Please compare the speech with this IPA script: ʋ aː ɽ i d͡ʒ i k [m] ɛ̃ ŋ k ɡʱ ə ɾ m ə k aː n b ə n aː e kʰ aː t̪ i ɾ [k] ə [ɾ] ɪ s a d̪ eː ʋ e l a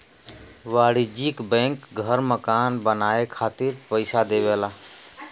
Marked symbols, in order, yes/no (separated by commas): no, no, no